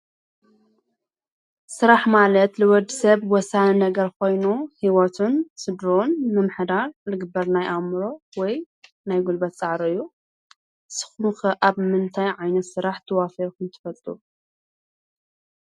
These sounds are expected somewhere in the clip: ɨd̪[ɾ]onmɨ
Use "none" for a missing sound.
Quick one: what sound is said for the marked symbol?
ɾ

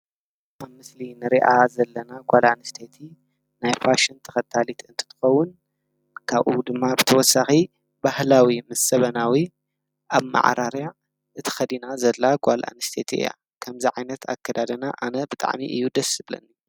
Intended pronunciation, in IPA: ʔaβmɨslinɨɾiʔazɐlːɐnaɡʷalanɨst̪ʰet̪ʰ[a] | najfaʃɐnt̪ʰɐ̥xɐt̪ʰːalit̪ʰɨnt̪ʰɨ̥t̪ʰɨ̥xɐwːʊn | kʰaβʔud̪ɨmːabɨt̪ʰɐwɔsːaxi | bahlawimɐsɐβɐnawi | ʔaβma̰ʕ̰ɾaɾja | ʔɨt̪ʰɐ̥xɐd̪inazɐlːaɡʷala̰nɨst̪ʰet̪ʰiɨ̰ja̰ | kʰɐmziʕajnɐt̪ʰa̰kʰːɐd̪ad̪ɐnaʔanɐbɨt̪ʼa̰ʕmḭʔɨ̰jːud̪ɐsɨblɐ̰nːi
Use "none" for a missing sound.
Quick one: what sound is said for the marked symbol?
i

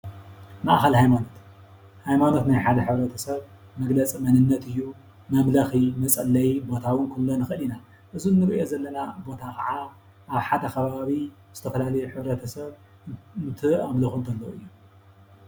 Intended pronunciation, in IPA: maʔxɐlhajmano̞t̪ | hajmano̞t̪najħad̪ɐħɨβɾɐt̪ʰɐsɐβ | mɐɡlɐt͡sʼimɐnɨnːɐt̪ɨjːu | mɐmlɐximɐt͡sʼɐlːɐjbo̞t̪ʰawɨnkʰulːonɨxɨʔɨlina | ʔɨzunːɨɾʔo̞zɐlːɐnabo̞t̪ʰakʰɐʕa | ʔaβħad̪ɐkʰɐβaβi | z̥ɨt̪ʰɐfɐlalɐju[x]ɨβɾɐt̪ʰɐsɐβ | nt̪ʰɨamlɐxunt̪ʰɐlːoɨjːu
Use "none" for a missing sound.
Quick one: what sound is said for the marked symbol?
ħ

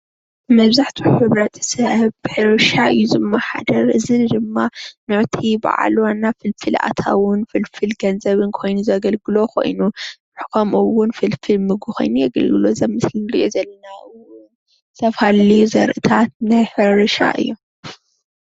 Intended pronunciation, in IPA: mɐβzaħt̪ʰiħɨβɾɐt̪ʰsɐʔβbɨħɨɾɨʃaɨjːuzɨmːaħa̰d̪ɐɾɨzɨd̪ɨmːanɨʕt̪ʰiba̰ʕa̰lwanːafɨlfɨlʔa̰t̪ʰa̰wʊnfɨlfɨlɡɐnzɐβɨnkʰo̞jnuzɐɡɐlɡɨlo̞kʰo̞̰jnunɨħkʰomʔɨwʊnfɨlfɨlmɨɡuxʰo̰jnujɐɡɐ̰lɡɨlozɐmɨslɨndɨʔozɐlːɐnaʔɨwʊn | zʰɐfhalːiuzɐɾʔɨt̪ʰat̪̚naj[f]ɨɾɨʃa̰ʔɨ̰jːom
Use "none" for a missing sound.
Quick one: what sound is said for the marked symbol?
ħ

